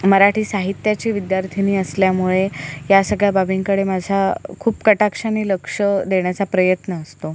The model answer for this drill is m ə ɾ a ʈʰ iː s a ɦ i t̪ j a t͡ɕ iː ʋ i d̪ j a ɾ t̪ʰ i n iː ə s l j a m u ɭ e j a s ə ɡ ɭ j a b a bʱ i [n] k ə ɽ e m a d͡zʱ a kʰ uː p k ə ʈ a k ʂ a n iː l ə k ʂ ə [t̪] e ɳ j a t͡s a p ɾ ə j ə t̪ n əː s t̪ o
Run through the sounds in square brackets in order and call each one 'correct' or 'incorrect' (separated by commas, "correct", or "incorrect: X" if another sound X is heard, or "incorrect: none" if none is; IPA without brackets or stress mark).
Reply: incorrect: ŋ, incorrect: d̪